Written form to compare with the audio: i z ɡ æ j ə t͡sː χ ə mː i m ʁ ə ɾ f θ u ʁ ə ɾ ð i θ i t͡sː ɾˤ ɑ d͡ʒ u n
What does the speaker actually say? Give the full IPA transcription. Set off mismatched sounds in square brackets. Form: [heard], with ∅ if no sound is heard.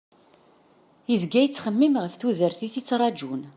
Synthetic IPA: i z ɡ æ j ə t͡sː χ ə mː i m ʁ ə [∅] f θ u [ð] ə ɾ [θ] i θ i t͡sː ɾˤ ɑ d͡ʒ u n